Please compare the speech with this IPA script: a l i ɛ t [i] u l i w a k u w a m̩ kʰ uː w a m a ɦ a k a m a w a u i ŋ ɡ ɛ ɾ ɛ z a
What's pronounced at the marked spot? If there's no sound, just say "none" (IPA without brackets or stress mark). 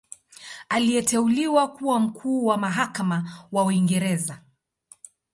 ɛ